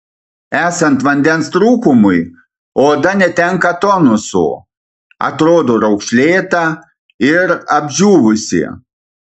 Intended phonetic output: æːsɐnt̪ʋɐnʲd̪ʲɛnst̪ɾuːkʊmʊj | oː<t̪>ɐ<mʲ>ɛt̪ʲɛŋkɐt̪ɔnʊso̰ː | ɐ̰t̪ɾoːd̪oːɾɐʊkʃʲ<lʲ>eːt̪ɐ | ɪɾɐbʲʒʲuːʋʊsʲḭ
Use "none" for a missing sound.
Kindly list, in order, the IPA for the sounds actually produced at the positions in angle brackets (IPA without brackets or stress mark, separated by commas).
d̪, nʲ, lʲ